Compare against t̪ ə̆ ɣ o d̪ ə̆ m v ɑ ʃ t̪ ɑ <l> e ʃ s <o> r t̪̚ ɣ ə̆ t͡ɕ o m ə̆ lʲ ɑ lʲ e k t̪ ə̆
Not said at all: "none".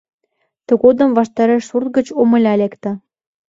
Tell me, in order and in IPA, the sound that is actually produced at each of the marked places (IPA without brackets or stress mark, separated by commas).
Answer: ɾ, u